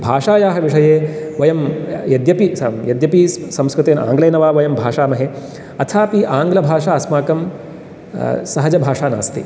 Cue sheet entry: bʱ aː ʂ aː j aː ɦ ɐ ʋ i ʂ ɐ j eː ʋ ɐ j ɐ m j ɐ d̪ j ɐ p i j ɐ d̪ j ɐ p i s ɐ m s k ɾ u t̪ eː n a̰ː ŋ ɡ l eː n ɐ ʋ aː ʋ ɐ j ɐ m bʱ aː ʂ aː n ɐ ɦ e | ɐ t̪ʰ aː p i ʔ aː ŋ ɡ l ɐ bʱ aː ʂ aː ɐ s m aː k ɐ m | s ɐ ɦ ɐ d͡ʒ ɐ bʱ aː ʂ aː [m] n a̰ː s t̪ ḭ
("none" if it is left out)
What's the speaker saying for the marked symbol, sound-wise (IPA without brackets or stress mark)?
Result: none